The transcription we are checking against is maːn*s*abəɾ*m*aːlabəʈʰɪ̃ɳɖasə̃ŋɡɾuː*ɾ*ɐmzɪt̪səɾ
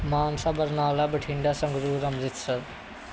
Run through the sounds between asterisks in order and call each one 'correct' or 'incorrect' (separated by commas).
correct, incorrect, correct